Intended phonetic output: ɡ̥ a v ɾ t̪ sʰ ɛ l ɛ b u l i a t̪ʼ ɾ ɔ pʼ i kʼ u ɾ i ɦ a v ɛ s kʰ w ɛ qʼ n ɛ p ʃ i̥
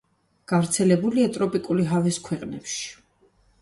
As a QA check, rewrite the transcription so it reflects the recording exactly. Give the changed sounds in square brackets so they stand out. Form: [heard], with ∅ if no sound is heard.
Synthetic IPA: ɡ̥ a v ɾ t̪ sʰ ɛ l ɛ b u l i a t̪ʼ ɾ ɔ pʼ i kʼ u [l] i ɦ a v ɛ s kʰ w ɛ qʼ n ɛ p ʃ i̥